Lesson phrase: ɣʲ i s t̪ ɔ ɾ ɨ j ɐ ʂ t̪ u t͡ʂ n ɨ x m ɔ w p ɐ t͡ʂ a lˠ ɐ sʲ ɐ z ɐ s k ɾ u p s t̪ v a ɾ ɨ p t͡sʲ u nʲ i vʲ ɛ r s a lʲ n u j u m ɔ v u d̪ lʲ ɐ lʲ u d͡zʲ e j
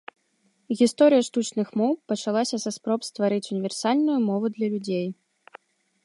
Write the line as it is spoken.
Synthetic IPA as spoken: ɣʲ i s t̪ ɔ ɾ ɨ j ɐ ʂ t̪ u t͡ʂ n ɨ x m ɔ w p ɐ t͡ʂ a lˠ a sʲ ɐ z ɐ s p ɾ ɔ p s t̪ v a ɾ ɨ t͡sʲ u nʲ i vʲ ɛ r s a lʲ n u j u m ɔ v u d̪ lʲ ɐ lʲ u d͡zʲ e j